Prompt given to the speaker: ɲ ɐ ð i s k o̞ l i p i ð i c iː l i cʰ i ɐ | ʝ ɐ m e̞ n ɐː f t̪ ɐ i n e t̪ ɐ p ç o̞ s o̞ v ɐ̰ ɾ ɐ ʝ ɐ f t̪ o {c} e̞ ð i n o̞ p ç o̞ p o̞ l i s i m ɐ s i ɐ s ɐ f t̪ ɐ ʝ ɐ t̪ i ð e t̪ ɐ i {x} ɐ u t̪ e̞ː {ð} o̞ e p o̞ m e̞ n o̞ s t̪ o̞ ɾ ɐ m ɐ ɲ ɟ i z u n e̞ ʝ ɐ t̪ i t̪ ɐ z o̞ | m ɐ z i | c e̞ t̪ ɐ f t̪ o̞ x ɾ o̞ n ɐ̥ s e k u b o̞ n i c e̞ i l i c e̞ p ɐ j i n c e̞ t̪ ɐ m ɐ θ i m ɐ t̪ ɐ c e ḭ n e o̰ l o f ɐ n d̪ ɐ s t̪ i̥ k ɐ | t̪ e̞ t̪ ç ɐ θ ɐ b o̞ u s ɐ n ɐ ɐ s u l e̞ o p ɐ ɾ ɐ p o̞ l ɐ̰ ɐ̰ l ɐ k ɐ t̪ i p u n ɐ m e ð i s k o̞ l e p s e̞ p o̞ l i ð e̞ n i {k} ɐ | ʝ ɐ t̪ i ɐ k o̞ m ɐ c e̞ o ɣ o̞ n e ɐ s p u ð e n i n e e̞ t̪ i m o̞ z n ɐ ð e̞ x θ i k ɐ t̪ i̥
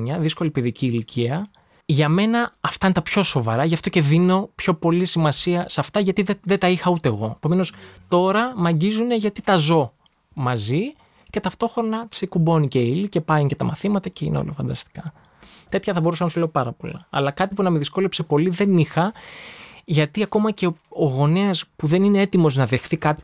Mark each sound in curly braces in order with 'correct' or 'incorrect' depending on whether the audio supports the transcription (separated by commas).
correct, correct, incorrect, incorrect